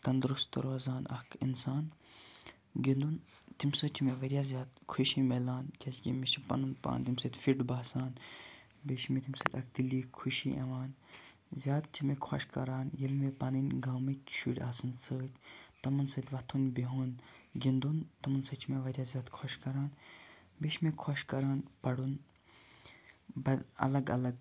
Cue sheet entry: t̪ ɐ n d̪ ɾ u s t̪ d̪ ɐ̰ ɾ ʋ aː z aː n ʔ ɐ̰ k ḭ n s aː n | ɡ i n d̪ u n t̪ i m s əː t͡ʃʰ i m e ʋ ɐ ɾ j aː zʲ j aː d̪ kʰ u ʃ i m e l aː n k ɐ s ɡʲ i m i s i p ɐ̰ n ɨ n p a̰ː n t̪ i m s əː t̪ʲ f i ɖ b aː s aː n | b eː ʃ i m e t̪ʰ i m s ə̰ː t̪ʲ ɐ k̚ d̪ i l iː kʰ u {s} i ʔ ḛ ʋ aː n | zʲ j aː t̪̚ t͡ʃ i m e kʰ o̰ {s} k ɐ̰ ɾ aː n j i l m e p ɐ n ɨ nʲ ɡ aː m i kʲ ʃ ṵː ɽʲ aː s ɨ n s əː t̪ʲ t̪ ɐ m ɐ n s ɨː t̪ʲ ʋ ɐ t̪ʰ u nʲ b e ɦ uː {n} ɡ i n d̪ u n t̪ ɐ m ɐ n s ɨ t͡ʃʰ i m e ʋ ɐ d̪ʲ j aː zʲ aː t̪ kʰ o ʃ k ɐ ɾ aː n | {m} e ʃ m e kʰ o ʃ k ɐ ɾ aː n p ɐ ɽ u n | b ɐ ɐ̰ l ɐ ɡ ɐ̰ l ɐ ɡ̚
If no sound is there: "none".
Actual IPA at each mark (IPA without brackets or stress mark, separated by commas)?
ʃ, ʃ, n, b